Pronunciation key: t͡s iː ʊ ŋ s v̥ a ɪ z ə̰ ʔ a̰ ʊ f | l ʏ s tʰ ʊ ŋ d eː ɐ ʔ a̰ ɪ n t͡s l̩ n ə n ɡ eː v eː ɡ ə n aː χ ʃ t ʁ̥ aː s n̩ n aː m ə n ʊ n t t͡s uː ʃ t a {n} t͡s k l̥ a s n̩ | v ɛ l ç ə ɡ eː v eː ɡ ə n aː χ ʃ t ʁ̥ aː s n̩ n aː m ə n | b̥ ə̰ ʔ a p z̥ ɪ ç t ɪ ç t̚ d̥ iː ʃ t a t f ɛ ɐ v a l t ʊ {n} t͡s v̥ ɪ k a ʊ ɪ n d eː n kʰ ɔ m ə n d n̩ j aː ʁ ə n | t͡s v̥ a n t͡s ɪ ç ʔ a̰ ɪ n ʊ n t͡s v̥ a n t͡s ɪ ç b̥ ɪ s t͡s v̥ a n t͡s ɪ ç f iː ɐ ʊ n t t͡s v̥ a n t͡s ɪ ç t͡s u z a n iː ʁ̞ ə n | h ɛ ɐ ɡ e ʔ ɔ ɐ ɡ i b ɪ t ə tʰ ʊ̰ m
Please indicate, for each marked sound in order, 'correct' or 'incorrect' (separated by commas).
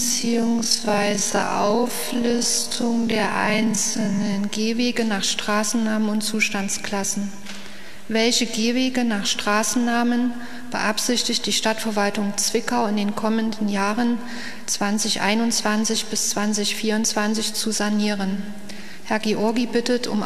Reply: correct, incorrect